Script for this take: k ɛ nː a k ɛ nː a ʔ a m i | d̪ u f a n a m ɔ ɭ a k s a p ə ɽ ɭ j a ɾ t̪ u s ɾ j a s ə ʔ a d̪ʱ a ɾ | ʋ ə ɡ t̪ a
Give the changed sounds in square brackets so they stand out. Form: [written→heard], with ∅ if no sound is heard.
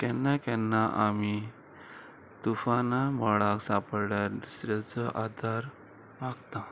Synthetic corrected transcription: k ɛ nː a k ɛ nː a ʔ a m i | [d̪→t̪] u f a n a m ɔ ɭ a k s a p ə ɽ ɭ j a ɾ [t̪→d̪] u s ɾ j a [s→t͡s] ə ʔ a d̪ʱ a ɾ | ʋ [ə→a] ɡ t̪ a